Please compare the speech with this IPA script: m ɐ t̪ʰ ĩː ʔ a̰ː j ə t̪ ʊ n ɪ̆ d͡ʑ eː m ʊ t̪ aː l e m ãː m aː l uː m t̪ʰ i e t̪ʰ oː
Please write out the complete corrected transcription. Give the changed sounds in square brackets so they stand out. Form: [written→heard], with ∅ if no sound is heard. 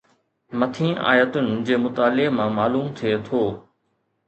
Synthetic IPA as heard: m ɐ t̪ʰ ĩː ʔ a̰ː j ə t̪ ʊ n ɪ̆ d͡ʑ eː m ʊ t̪ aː l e m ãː m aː l uː m t̪ʰ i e t̪ʰ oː